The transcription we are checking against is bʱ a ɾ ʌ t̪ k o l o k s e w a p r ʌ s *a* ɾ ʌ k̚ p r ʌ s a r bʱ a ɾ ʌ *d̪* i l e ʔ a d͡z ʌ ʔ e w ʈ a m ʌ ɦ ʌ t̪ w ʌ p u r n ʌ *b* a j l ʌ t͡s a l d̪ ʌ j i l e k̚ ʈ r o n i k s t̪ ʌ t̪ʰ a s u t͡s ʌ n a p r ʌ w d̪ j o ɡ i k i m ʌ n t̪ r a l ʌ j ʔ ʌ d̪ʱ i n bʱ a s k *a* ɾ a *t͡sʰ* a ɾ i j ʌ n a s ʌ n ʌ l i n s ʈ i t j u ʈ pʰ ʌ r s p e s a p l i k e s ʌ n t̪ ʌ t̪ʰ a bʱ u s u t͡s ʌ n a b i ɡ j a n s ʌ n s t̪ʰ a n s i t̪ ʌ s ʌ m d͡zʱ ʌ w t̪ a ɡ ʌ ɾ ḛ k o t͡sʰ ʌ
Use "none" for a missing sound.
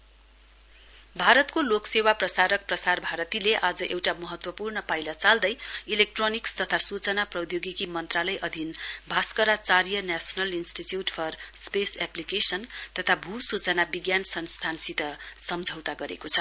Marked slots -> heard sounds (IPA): a, t̪, p, ʌ, t͡s

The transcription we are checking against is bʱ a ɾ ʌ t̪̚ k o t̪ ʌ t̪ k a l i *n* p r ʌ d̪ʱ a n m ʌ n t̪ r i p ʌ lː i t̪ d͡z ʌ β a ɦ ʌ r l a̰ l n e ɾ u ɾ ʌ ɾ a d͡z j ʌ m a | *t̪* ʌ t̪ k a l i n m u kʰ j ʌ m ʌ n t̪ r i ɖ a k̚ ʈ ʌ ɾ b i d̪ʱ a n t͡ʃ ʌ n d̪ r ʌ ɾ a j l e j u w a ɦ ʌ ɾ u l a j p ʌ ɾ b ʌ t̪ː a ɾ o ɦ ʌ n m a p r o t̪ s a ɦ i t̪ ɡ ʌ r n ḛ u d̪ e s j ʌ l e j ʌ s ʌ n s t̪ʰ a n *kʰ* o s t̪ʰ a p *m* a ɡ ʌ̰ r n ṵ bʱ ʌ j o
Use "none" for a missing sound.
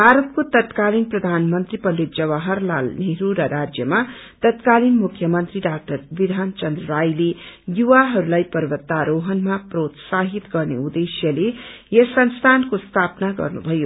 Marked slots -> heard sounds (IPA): n, t̪, k, n

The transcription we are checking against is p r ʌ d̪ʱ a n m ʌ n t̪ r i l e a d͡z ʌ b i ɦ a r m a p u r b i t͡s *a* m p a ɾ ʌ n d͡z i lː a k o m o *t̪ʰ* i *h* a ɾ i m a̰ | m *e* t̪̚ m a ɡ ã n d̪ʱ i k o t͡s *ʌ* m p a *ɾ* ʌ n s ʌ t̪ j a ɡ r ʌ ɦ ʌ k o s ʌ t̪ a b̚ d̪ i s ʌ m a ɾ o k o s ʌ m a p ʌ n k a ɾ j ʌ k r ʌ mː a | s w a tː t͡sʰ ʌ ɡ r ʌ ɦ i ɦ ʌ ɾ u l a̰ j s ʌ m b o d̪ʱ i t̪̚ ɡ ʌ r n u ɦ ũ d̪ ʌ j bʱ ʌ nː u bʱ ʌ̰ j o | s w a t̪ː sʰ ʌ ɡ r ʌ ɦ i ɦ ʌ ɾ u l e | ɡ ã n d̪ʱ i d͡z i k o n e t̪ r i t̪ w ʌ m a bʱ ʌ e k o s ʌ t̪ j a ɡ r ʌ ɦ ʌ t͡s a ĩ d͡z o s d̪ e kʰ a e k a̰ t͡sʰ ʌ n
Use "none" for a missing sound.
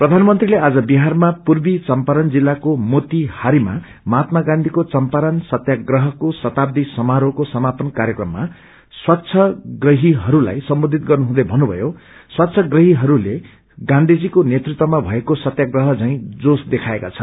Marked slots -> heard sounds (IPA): ʌ, t̪, h, a, ʌ, ɾ

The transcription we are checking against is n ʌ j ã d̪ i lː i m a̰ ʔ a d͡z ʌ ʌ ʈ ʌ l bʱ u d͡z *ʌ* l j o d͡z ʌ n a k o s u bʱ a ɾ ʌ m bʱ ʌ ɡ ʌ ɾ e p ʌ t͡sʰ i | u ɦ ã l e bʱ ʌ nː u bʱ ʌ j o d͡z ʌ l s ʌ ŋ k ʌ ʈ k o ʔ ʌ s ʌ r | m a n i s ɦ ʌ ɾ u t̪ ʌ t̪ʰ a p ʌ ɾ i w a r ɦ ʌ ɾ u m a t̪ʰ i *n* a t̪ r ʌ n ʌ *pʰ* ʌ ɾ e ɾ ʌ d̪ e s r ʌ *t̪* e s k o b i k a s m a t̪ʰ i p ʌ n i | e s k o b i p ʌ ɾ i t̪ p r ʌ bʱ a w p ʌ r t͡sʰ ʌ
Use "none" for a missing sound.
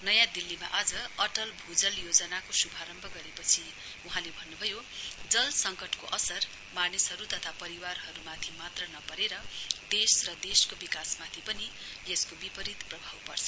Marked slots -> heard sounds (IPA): ʌ, m, p, d̪

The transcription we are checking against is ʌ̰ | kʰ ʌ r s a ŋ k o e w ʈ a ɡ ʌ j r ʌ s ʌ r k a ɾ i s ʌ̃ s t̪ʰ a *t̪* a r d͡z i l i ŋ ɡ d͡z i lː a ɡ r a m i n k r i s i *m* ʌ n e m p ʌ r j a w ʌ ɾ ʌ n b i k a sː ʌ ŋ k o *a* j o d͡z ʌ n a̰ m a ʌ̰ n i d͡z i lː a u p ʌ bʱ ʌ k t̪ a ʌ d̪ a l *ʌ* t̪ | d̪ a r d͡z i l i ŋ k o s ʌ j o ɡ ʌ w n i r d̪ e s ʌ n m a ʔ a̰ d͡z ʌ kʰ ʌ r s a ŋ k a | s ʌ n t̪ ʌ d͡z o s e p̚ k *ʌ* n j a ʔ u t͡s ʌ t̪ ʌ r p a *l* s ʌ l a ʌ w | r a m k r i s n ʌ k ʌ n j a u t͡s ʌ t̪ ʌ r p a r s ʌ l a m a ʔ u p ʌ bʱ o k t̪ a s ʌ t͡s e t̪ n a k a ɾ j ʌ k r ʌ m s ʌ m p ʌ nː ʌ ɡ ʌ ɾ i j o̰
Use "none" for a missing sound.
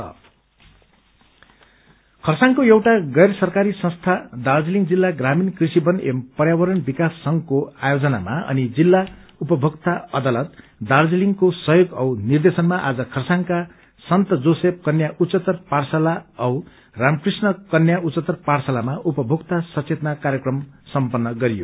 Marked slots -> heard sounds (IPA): d̪, b, a, ʌ, ʌ, r

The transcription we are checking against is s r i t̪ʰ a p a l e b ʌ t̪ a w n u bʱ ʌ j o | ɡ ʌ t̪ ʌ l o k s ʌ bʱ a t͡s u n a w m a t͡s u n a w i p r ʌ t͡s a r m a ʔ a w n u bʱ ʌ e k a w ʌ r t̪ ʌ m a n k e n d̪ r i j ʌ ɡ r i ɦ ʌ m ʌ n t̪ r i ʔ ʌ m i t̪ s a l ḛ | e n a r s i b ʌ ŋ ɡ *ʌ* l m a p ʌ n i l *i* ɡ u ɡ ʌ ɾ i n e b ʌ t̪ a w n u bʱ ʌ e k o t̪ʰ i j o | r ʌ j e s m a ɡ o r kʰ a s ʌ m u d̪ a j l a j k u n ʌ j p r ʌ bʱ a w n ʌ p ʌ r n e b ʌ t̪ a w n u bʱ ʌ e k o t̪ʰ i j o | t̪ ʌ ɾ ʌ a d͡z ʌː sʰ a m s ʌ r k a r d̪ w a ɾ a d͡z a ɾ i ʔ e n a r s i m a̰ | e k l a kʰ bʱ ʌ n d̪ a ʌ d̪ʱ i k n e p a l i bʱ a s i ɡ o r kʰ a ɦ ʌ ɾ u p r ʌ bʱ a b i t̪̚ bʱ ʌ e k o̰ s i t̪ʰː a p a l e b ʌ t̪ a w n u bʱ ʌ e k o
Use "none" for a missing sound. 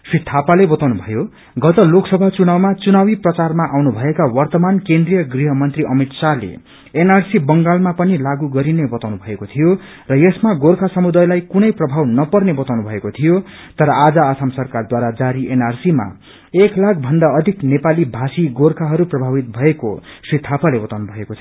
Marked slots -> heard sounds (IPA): a, a

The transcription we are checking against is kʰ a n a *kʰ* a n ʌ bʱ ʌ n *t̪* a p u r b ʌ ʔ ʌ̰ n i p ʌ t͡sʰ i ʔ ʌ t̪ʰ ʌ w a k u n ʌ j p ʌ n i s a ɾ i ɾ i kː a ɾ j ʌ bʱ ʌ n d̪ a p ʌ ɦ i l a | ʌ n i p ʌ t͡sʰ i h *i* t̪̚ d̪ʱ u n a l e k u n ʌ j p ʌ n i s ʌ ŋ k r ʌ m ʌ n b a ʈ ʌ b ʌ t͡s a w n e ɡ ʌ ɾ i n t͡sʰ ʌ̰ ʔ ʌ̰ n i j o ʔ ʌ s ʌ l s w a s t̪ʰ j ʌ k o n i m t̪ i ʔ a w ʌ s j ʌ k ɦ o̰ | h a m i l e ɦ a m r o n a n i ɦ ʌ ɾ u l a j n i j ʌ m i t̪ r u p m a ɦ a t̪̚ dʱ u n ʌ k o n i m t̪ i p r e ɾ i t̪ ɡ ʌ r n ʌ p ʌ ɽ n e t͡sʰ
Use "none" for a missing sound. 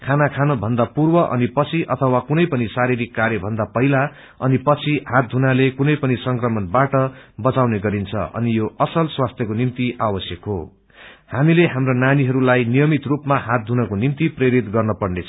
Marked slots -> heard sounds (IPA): kʰ, d̪, a

